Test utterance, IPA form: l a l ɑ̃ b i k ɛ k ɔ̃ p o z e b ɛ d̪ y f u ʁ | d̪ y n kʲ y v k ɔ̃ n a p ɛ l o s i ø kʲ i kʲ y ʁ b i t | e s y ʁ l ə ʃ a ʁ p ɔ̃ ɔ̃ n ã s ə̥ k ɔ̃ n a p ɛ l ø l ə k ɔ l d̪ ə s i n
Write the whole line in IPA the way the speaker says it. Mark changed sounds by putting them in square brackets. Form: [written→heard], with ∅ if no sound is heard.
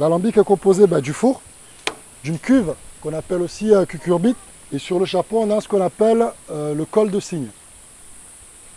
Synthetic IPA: l a l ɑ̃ b i k ɛ k ɔ̃ p o z e b ɛ d̪ y f u ʁ | d̪ y n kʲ y v k ɔ̃ n a p ɛ l o s i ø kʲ [i→y] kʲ y ʁ b i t | e s y ʁ l ə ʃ a ʁ p ɔ̃ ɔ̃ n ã s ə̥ k ɔ̃ n a p ɛ l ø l ə k ɔ l d̪ ə s i [n→ɲ]